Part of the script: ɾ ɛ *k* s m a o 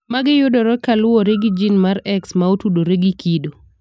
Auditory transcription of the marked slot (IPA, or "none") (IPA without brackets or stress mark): k